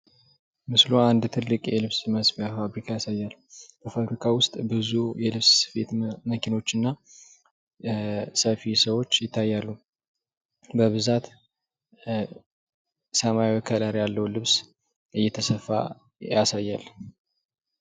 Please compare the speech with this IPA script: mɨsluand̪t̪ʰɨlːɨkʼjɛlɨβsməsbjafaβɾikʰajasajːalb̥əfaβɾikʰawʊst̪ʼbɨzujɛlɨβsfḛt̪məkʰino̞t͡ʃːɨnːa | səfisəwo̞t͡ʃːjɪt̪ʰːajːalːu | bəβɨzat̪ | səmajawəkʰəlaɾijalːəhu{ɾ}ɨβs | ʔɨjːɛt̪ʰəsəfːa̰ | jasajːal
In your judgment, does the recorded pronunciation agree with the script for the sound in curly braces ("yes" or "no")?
no